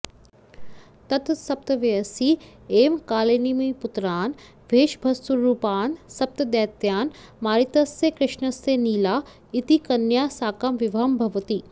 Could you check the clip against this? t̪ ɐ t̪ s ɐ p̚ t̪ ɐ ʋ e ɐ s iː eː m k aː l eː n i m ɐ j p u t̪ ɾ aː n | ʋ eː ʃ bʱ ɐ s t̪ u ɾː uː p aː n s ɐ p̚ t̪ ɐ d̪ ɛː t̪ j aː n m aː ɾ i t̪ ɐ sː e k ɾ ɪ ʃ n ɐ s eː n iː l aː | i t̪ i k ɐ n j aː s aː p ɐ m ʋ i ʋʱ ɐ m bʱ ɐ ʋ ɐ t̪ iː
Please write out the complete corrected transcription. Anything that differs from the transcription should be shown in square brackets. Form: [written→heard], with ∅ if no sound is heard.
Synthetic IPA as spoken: t̪ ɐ t̪ s ɐ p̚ t̪ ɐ ʋ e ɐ s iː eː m k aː l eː n i m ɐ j p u t̪ ɾ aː n | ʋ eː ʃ bʱ ɐ s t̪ u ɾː uː p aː n s ɐ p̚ t̪ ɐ d̪ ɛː t̪ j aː n m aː ɾ i t̪ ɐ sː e k ɾ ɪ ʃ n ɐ s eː n iː l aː | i t̪ i k ɐ n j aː s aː [p→k] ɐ m ʋ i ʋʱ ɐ m bʱ ɐ ʋ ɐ t̪ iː